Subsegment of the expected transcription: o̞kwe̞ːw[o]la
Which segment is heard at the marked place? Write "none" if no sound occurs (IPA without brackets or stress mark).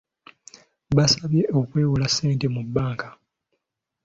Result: u